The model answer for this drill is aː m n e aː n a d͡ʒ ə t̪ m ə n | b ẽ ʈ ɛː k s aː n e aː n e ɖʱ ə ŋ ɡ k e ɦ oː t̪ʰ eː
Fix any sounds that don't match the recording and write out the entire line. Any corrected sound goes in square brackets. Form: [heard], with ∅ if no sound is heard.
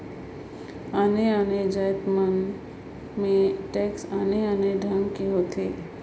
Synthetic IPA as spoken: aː [∅] n e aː n [e] d͡ʒ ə t̪ m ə n | [m] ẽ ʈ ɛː k s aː n e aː n e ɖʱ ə ŋ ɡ k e ɦ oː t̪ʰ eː